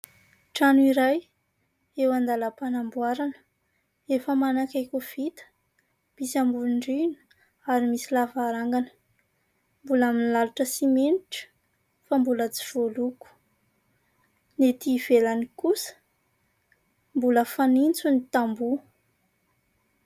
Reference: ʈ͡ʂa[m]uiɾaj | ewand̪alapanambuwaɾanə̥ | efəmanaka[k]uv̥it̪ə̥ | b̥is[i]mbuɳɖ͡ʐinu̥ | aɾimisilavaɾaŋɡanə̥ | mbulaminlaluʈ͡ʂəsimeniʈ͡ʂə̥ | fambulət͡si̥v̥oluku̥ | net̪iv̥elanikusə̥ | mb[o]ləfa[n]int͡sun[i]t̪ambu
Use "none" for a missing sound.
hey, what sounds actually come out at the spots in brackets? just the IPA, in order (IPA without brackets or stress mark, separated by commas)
n, k, a, u, n, i